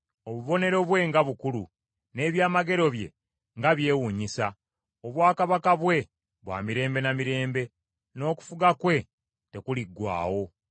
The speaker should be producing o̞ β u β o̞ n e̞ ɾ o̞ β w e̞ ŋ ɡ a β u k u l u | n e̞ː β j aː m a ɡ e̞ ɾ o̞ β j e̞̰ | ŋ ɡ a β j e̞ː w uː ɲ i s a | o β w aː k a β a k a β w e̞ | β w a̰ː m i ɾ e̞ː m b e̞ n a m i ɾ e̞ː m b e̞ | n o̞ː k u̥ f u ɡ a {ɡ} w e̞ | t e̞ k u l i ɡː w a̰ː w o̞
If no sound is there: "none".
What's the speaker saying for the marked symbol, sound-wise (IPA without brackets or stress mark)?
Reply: k